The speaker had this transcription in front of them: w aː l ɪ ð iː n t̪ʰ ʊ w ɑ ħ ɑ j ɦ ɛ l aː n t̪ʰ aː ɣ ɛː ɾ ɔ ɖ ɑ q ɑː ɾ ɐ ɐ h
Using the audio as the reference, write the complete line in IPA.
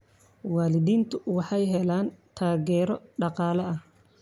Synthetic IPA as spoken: w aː l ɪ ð iː n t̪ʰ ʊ w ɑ ħ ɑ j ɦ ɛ l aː n t̪ʰ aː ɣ ɛː ɾ ɔ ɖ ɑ q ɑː l ɐ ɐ h